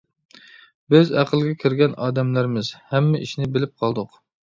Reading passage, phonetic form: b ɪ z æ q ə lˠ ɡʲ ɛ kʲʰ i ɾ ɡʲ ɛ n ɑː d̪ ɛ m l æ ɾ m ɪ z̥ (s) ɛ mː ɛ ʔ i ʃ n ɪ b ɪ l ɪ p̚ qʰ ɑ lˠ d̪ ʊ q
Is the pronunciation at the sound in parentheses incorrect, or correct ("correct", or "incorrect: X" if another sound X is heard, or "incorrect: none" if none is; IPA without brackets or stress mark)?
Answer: incorrect: h